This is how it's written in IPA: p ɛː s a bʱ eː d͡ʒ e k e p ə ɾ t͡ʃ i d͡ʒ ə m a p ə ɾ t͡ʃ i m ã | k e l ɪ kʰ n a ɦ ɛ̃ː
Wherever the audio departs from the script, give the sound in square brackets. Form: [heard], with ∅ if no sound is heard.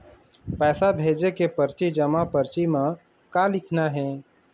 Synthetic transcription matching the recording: p ɛː s a bʱ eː d͡ʒ e k e p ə ɾ t͡ʃ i d͡ʒ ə m a p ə ɾ t͡ʃ i m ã | k [a] l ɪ kʰ n a ɦ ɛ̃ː